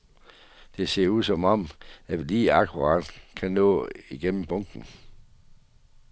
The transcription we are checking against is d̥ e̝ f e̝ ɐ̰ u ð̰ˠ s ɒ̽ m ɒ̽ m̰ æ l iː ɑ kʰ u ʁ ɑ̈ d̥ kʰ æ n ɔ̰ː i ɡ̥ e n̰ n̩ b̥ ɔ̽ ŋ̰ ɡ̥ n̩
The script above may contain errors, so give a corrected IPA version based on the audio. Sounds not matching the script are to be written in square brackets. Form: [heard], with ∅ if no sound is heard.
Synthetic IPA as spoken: d̥ e̝ [s] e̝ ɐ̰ u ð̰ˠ s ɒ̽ m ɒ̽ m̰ æ l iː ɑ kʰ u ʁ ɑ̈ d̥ kʰ æ n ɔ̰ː i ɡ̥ e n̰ [m̩] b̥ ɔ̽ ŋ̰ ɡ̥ n̩